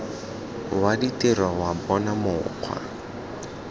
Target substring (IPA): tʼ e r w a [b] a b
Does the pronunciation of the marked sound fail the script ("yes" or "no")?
yes